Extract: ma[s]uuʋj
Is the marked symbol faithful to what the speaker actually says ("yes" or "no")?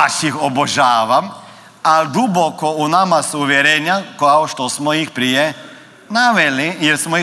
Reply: yes